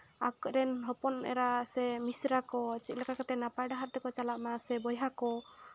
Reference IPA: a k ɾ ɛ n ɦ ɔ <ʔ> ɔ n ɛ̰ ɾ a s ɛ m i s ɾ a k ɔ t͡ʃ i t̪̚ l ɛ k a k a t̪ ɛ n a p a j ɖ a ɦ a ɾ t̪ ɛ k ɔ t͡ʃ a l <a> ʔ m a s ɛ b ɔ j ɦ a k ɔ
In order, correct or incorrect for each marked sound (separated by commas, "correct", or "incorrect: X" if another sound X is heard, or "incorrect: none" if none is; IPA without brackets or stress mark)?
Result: incorrect: p, correct